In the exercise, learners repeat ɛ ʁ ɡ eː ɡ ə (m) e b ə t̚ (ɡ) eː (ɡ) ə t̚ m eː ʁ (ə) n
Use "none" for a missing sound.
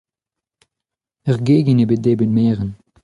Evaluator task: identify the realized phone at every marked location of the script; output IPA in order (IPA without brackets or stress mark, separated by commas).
n, d, b, ə